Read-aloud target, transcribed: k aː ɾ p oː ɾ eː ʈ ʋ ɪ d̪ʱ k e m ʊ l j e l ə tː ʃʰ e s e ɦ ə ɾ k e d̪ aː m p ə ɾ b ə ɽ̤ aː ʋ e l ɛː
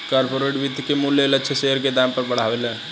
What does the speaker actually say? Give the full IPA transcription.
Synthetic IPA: k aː ɾ p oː ɾ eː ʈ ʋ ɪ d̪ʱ k e m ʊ l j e l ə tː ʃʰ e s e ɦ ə ɾ k e d̪ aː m p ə ɾ b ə ɽ̤ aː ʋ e l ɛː